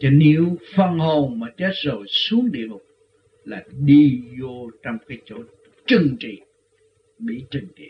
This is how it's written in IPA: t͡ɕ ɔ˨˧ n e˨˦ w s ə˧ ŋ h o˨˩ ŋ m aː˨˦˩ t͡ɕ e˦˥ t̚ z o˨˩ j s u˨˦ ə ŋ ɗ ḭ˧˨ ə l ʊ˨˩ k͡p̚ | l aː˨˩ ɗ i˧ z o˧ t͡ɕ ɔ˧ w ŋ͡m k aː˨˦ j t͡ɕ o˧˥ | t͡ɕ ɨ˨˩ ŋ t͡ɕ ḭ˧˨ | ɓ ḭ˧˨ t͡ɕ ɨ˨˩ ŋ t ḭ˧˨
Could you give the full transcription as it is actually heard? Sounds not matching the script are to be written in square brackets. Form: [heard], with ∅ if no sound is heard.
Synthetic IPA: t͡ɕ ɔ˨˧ n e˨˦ w [f] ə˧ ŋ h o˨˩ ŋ m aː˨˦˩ t͡ɕ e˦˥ t̚ z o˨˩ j s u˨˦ ə ŋ ɗ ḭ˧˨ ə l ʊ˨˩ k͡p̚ | l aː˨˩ ɗ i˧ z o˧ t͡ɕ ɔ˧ w ŋ͡m k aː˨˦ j t͡ɕ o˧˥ | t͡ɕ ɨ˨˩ ŋ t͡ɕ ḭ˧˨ | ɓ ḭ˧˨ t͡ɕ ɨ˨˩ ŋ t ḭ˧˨